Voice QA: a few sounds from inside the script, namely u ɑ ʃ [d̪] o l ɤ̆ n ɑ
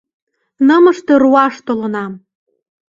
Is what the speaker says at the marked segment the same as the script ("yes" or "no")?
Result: no